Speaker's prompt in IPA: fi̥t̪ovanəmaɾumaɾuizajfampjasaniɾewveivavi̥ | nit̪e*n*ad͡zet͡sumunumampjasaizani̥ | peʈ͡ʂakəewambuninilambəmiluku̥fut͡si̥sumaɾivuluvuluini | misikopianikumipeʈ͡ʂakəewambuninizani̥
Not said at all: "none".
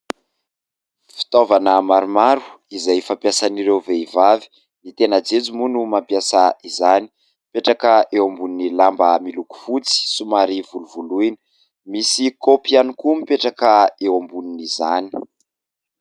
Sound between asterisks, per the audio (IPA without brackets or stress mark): n